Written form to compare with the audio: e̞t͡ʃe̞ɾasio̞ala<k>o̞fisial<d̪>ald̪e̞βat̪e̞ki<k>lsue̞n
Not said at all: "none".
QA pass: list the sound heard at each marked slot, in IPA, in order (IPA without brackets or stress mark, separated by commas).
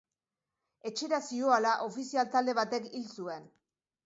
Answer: ʔ, t̪, none